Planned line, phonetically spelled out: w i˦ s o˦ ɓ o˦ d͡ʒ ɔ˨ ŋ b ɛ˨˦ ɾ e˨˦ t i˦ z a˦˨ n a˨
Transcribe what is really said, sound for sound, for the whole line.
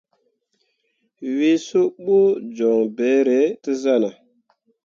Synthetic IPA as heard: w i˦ s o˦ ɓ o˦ d͡ʒ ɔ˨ ŋ b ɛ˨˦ ɾ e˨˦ t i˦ z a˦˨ n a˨